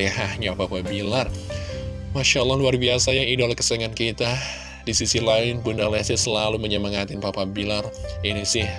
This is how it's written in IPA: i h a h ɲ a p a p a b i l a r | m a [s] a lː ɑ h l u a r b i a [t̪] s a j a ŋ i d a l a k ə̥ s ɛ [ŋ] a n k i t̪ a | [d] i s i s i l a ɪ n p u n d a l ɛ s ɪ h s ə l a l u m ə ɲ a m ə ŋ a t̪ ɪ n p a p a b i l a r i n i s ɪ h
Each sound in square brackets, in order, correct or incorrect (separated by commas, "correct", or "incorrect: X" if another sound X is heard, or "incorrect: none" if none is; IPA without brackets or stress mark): incorrect: ʃ, incorrect: none, correct, correct